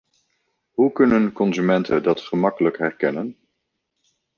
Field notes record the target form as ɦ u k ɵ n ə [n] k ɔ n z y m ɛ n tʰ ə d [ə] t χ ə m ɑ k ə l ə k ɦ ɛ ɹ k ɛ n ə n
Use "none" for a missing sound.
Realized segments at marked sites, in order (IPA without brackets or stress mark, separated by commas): n, ɑ